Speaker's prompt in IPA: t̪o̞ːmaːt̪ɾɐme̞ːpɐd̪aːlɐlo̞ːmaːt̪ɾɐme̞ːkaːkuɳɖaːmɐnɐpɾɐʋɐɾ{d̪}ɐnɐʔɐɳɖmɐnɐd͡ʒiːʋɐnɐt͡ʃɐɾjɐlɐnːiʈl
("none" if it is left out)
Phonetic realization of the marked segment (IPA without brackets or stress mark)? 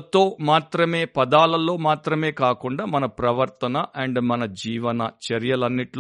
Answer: t̪